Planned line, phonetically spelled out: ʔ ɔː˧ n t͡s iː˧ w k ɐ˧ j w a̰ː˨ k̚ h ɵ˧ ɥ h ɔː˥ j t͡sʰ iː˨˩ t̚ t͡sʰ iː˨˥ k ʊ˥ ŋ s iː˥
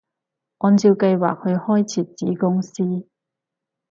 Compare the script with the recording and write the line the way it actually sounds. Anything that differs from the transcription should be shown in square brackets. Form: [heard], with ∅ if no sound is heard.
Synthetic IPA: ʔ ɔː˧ n t͡s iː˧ w k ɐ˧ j w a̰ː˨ k̚ h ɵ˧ ɥ h ɔː˥ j t͡sʰ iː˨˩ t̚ [t͡s] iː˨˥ k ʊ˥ ŋ s iː˥